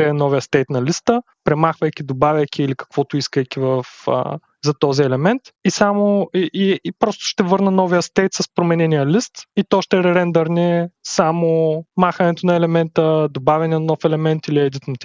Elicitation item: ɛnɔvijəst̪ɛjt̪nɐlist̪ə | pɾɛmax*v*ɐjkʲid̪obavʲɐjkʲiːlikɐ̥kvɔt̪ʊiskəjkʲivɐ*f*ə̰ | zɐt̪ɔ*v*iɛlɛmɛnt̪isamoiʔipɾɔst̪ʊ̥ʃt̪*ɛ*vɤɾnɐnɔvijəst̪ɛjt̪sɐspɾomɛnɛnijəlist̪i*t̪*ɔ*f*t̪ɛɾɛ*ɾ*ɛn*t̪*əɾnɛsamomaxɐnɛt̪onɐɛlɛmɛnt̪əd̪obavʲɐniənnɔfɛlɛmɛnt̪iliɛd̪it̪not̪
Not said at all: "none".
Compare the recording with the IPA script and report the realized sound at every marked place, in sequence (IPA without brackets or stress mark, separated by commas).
v, f, z, ɛ, t̪, ʃ, ɾ, d̪